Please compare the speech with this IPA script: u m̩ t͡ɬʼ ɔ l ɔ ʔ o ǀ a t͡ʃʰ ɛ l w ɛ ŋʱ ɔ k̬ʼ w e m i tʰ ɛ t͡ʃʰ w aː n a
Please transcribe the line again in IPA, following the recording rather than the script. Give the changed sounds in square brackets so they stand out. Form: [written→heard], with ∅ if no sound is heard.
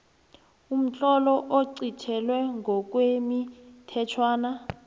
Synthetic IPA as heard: u m̩ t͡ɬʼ ɔ l ɔ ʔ o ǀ [a→i] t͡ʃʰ ɛ l w ɛ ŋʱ ɔ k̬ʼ w e m i tʰ ɛ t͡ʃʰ w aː n a